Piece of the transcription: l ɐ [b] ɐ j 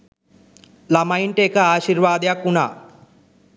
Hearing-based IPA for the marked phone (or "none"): m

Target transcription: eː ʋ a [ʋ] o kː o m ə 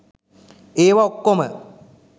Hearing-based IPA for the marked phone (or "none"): none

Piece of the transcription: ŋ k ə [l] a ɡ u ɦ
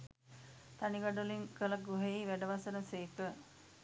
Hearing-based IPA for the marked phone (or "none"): l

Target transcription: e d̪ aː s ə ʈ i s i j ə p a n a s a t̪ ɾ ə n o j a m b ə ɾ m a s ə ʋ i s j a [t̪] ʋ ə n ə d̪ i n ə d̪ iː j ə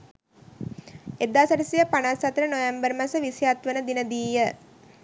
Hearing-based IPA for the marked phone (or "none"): t̪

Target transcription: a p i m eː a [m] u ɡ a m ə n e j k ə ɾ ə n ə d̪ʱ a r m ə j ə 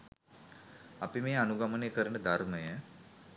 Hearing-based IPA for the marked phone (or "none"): n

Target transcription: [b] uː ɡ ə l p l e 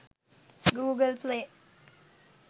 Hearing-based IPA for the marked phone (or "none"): ɡ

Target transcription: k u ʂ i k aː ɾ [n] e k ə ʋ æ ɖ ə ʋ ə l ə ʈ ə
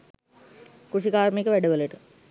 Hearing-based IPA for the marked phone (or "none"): m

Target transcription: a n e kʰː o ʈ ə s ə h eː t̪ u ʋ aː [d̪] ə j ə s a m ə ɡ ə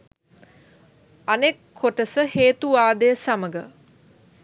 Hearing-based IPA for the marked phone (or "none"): d̪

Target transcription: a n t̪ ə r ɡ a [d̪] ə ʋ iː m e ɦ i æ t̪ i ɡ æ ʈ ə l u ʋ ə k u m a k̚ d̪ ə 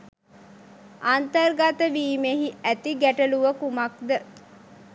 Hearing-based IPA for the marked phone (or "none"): t̪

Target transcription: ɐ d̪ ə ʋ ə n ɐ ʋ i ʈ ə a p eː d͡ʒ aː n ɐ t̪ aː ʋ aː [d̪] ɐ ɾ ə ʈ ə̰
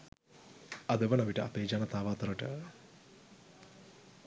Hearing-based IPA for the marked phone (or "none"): t̪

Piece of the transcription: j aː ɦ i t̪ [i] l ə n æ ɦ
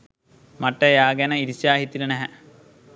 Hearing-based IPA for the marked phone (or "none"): i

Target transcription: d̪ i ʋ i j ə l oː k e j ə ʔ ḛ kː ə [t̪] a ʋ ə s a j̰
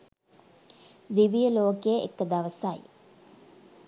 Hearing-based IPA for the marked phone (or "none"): d̪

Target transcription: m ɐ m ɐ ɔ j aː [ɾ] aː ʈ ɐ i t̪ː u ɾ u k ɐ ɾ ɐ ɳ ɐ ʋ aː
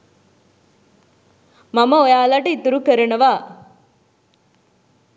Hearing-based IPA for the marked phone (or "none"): l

